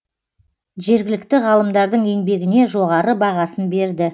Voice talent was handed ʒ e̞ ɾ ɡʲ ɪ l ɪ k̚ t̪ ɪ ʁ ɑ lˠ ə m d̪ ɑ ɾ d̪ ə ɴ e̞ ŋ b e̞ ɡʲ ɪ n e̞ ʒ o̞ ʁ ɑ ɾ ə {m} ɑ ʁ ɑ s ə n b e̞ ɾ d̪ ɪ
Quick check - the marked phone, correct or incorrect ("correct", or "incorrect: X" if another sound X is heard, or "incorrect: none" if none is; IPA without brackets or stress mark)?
incorrect: b